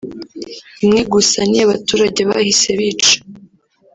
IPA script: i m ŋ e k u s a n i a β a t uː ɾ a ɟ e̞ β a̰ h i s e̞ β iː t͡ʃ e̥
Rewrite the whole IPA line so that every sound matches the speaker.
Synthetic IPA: i m ŋ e ɡ u s a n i a β a t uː ɾ a ɟ e̞ β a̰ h i s e̞ β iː t͡ʃ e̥